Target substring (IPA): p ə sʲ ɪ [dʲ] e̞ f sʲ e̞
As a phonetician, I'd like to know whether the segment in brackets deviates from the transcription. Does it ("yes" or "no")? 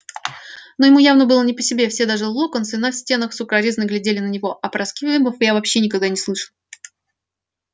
yes